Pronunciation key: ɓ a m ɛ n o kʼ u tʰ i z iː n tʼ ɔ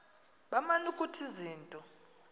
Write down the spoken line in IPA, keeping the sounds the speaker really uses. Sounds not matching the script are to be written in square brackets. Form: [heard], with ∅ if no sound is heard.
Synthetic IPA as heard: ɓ a m [a] n [u] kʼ u tʰ i z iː n tʼ ɔ